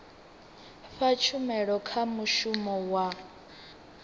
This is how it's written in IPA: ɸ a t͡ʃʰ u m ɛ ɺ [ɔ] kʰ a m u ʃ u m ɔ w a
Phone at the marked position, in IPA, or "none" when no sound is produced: ɔ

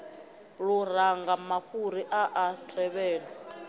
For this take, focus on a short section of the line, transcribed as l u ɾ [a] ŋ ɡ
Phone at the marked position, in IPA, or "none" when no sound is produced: a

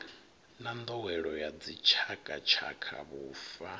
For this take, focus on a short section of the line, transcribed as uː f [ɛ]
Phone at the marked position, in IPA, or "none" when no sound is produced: a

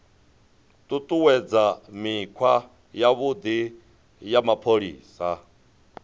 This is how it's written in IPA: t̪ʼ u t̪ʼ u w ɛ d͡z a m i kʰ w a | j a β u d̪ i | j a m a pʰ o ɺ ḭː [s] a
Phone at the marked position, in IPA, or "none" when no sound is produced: s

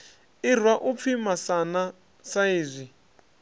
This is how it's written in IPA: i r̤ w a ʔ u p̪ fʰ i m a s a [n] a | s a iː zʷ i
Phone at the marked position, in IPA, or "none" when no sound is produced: n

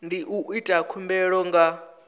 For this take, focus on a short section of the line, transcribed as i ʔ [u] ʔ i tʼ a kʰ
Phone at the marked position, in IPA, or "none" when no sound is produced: u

